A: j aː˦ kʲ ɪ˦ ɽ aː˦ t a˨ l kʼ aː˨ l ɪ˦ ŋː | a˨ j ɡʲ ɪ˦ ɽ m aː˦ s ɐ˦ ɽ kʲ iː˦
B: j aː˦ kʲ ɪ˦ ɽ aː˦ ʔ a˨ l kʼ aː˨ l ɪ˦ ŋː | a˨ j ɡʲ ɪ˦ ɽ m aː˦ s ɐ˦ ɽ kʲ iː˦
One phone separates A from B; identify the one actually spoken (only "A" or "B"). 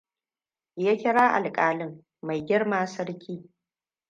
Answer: B